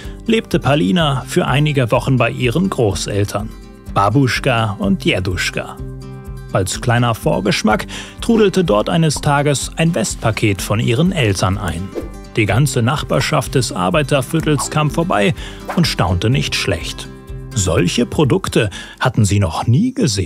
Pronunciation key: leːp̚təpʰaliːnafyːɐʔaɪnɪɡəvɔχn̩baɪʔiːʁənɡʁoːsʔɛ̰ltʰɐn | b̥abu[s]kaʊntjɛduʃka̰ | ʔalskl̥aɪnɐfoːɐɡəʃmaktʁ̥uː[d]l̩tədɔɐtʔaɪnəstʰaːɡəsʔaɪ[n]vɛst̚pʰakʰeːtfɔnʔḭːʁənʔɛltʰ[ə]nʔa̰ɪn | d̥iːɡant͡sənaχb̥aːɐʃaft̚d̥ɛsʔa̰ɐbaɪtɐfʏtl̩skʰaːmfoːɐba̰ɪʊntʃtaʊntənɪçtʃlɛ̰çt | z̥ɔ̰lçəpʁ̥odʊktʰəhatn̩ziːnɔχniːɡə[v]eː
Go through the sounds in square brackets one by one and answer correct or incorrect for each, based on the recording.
incorrect, correct, correct, incorrect, incorrect

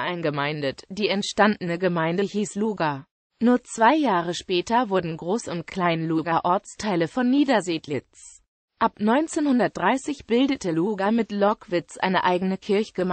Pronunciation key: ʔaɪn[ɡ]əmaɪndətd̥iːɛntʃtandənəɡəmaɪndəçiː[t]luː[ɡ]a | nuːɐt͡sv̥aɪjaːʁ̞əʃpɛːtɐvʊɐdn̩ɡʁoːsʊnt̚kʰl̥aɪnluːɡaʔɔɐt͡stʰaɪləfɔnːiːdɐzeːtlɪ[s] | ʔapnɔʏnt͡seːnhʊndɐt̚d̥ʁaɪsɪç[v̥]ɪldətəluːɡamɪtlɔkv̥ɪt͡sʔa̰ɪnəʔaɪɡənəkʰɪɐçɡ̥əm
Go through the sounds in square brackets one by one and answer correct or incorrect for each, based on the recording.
correct, incorrect, correct, incorrect, incorrect

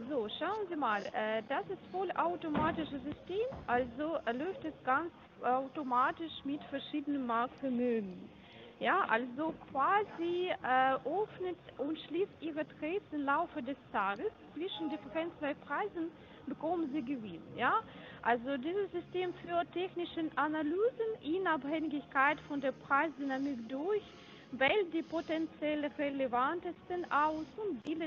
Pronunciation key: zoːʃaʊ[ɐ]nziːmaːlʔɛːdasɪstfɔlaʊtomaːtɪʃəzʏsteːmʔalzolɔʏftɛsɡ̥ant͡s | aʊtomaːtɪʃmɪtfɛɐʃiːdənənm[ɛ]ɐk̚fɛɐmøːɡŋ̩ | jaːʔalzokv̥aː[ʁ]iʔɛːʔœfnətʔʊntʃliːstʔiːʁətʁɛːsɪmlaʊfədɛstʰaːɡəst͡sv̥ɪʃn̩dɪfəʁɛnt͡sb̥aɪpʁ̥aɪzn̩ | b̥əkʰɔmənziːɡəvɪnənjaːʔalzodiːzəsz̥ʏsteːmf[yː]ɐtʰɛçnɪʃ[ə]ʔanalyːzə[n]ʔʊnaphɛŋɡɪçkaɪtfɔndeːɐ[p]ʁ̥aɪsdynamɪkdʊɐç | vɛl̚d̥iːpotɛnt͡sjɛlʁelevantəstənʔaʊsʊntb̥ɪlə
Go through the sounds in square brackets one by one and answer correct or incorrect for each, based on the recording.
incorrect, incorrect, incorrect, correct, correct, correct, correct

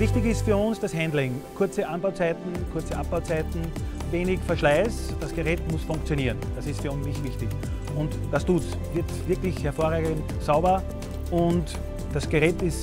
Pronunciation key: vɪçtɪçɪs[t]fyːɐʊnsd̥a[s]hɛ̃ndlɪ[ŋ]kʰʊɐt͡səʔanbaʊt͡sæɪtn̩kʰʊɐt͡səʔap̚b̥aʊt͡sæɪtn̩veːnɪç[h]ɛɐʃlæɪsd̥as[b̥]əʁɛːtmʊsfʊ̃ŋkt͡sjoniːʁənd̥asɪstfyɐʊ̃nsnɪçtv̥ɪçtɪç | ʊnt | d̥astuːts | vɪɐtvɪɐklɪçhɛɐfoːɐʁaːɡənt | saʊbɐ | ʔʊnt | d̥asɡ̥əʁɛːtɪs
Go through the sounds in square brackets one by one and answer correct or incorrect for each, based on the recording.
correct, correct, correct, incorrect, incorrect

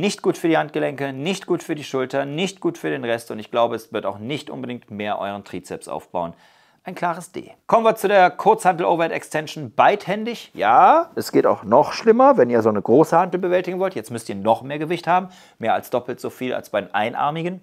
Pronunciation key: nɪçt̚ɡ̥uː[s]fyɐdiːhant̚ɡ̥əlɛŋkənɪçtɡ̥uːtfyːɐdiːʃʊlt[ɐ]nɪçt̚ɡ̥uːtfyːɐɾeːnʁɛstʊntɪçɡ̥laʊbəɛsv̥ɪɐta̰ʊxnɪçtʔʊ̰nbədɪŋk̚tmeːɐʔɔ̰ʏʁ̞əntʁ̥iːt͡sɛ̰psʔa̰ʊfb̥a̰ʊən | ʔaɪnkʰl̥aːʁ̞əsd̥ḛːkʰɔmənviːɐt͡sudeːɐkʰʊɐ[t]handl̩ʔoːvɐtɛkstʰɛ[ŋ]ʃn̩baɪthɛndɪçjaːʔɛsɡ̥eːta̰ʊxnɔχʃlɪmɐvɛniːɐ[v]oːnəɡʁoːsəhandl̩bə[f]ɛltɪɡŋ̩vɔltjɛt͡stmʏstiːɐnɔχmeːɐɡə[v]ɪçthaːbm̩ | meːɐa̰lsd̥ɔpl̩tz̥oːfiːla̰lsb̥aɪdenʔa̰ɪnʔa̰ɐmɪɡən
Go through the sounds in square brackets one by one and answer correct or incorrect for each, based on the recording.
incorrect, correct, incorrect, incorrect, incorrect, incorrect, correct

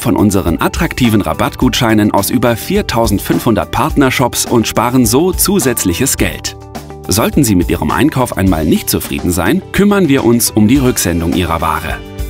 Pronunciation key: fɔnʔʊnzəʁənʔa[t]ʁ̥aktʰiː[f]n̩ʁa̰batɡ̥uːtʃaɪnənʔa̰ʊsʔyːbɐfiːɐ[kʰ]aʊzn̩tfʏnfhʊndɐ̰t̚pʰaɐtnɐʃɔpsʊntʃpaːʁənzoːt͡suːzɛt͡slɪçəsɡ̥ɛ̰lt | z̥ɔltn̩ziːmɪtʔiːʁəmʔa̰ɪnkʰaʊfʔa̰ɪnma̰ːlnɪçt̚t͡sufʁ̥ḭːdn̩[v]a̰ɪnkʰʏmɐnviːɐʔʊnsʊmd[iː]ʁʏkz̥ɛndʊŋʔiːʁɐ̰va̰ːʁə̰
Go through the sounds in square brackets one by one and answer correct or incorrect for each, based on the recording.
correct, incorrect, incorrect, incorrect, correct

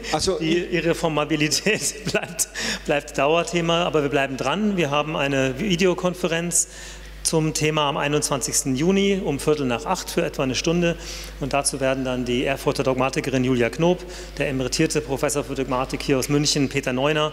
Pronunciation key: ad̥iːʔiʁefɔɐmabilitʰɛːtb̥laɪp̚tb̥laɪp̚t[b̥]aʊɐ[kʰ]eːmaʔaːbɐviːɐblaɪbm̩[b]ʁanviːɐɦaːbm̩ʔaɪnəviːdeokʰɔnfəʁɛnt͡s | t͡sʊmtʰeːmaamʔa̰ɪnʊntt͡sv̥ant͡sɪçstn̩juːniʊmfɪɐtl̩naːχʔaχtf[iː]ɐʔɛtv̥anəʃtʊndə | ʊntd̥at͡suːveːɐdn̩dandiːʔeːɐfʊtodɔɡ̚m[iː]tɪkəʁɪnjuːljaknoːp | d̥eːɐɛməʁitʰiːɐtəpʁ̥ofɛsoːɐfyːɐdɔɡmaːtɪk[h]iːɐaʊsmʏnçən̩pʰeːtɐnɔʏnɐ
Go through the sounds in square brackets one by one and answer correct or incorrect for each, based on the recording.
incorrect, incorrect, incorrect, incorrect, incorrect, correct

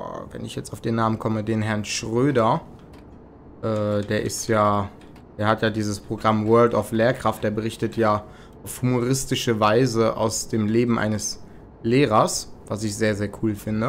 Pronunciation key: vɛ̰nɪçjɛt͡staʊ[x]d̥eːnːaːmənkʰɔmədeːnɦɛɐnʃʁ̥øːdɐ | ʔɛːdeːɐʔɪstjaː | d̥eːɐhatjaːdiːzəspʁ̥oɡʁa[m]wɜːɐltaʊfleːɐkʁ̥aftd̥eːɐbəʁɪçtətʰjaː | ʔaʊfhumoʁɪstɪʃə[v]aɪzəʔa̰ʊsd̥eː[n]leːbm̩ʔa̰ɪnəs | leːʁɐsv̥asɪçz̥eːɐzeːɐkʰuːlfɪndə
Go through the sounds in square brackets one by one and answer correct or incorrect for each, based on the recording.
incorrect, correct, correct, incorrect

